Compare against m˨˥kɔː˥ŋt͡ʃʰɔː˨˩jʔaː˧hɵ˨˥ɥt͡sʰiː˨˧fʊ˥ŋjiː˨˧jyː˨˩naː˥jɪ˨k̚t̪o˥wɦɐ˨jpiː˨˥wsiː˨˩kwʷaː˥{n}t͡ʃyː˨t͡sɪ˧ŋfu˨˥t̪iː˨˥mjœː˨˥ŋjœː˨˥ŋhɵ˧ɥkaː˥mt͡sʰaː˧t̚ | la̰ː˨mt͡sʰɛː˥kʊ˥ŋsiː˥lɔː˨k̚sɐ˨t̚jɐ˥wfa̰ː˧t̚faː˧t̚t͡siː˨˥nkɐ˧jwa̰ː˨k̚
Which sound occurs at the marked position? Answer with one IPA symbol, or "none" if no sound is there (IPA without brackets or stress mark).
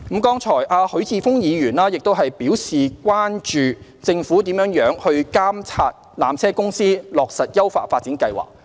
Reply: n